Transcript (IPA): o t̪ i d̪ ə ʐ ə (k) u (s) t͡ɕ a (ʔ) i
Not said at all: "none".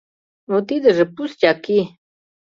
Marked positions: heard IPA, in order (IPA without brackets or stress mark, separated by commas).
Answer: p, s, k